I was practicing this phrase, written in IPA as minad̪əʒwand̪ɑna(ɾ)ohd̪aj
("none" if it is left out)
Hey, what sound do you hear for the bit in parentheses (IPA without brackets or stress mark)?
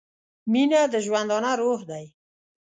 ɾ